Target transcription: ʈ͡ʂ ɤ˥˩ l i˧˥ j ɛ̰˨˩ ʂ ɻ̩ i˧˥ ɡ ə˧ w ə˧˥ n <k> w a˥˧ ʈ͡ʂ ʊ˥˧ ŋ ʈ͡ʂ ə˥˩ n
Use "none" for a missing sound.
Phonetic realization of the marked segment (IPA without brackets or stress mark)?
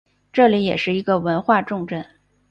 x